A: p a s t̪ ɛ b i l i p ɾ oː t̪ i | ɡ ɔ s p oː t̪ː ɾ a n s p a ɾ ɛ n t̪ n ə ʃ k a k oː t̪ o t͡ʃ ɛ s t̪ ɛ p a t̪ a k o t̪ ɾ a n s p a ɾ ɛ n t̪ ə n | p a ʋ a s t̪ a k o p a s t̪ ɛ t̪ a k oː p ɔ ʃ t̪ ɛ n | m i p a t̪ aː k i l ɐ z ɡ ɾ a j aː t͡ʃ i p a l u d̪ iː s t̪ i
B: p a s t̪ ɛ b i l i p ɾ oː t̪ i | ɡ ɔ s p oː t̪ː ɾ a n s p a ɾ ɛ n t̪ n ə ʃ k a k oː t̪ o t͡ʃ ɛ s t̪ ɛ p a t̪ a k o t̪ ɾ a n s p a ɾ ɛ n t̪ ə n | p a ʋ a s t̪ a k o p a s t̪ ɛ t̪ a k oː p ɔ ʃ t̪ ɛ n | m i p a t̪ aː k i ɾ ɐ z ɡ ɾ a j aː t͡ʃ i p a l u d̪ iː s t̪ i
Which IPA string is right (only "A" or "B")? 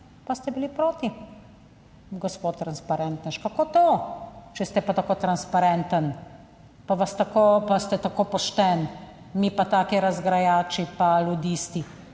B